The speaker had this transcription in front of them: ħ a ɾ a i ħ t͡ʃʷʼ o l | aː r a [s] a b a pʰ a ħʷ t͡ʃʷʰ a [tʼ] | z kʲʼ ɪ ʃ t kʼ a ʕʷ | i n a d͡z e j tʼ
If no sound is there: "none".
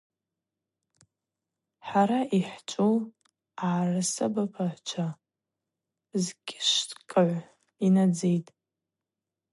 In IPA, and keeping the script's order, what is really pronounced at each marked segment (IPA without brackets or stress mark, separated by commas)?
s, none